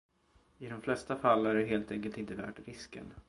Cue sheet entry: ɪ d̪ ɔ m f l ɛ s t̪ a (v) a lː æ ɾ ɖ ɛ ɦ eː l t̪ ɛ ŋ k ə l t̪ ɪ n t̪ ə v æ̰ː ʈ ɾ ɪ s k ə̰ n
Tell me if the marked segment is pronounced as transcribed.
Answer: no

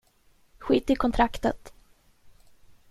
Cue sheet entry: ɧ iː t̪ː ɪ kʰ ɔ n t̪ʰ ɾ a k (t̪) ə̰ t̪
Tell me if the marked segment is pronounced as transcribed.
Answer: yes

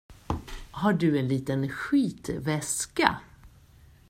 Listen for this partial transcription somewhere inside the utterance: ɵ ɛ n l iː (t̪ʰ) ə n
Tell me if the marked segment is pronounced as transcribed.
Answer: no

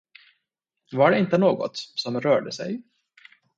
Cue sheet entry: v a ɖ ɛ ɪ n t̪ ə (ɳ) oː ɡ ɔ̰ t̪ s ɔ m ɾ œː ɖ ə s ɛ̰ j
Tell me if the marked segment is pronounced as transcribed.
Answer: no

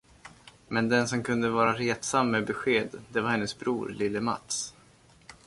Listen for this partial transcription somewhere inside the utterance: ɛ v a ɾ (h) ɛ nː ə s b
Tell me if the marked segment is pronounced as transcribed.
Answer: yes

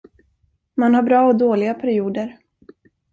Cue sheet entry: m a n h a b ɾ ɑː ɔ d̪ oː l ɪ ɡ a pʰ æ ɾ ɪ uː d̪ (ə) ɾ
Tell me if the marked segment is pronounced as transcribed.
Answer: yes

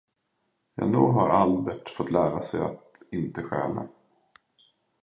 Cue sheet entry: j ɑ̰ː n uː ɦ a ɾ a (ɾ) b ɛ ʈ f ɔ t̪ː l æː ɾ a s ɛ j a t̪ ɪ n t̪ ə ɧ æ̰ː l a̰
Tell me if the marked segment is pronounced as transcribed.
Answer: no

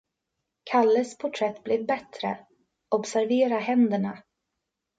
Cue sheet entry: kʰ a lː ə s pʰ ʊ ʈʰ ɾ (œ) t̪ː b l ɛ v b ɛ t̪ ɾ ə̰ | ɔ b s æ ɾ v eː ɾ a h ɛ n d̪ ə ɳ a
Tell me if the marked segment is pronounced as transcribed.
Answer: no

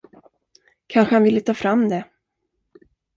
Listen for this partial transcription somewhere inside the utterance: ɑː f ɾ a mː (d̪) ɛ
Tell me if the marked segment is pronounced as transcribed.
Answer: yes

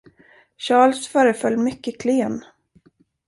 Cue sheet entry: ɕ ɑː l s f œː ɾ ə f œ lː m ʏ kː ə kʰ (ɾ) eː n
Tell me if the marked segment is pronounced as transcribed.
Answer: no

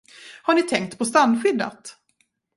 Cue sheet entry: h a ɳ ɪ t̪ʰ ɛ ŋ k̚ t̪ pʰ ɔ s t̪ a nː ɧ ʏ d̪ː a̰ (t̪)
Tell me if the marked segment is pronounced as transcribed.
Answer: yes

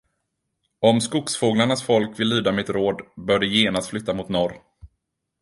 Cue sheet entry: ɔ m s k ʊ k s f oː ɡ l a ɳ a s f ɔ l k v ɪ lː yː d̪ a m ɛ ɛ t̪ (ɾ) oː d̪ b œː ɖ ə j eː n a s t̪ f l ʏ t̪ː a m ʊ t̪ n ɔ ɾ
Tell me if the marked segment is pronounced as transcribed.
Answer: yes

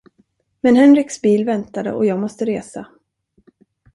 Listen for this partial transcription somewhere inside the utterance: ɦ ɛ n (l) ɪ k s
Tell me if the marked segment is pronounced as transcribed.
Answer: no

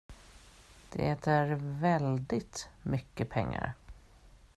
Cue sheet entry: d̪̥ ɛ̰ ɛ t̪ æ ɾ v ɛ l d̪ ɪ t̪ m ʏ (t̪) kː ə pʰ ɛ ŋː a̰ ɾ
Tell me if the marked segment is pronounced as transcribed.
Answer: no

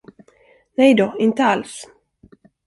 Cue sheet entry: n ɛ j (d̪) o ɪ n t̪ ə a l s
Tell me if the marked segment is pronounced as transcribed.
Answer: yes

